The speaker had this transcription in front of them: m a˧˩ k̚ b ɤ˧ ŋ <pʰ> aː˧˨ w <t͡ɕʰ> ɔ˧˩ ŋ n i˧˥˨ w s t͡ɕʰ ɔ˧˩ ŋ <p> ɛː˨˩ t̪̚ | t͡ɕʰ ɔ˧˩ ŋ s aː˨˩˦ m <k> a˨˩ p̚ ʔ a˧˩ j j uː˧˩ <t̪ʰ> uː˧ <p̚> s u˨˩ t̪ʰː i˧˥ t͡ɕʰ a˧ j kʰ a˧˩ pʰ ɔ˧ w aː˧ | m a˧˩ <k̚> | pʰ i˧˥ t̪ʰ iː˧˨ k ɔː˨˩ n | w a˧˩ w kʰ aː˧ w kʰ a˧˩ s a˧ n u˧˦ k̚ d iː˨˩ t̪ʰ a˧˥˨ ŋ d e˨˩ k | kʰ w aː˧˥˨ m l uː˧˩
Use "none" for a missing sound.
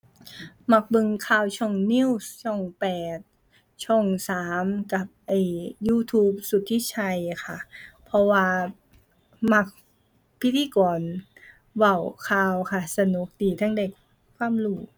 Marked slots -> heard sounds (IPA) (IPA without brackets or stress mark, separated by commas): kʰ, t͡ɕʰ, p, k, t̪ʰ, p̚, k̚